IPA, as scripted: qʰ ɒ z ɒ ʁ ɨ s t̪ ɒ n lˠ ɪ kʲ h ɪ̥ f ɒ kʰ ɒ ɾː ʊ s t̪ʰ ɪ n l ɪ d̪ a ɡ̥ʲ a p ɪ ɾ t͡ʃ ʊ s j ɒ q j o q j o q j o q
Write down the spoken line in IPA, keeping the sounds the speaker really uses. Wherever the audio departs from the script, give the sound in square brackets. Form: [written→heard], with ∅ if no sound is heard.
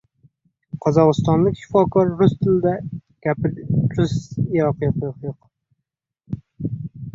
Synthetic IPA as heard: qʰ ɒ z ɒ ʁ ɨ s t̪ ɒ n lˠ ɪ kʲ [h→ʃ] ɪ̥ f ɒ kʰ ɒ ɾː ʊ s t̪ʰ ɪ [n→∅] l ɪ d̪ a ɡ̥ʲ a p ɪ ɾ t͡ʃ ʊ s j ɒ q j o q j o q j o q